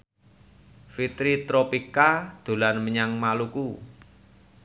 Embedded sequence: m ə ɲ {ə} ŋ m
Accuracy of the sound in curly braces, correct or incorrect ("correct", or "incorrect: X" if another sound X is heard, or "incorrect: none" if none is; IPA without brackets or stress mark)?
incorrect: a